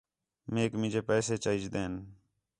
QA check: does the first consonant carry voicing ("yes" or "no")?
yes